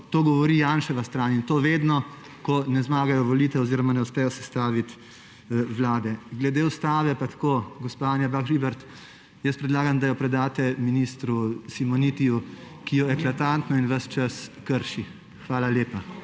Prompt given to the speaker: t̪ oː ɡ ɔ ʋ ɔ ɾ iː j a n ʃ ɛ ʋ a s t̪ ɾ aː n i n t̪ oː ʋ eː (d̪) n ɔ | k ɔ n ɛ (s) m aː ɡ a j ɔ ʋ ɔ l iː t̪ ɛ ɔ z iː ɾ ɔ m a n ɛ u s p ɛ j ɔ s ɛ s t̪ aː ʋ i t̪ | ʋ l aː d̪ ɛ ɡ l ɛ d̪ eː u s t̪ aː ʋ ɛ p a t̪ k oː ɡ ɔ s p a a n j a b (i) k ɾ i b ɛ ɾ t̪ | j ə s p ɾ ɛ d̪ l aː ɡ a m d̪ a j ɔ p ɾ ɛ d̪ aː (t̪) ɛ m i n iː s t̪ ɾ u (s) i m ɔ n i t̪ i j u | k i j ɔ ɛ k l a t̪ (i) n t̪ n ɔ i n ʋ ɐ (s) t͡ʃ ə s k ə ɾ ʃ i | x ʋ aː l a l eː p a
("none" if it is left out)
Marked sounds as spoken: d̪, z, a, t̪, s, a, s

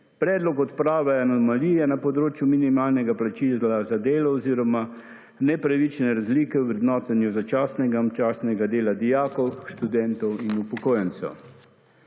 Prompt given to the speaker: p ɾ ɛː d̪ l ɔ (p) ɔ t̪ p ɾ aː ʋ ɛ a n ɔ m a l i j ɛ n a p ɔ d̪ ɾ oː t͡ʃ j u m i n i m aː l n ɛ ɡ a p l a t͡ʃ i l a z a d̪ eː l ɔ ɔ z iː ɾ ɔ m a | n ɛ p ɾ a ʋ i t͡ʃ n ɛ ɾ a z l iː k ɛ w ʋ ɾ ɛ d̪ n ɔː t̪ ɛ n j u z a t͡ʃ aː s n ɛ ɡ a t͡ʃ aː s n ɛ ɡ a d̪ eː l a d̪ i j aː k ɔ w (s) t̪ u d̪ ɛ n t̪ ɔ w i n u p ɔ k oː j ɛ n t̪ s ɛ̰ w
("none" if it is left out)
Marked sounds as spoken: k, ʃ

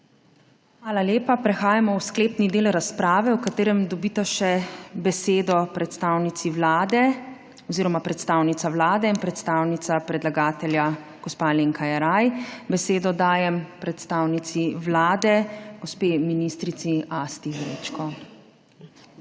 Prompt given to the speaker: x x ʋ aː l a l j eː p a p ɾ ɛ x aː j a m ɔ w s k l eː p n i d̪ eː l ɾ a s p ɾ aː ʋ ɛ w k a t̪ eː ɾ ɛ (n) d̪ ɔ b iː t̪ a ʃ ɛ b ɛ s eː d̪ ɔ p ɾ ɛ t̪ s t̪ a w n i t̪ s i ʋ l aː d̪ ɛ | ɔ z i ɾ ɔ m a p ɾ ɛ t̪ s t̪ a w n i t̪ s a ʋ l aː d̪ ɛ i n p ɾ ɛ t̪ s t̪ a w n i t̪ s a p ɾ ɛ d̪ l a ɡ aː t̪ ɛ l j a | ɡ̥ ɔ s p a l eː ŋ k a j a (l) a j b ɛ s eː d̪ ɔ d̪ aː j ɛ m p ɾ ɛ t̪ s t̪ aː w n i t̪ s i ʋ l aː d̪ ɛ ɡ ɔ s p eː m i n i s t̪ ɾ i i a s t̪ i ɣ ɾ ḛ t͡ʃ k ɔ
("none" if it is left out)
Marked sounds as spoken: m, ɾ

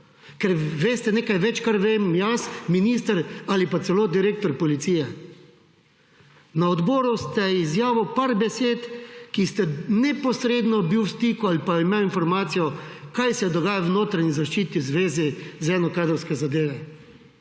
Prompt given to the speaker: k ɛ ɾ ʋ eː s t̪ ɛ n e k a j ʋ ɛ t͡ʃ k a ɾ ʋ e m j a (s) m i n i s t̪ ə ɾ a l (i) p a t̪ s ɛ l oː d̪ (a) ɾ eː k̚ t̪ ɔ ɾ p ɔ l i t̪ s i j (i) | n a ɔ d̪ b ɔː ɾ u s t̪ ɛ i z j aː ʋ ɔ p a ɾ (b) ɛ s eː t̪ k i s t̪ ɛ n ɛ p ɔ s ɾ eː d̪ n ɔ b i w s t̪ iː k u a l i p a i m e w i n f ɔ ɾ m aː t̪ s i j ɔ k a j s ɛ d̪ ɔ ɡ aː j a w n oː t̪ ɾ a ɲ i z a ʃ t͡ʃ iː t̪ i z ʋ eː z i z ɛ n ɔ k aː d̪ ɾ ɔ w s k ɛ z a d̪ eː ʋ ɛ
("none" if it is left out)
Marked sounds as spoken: s, i, i, ɛ, b

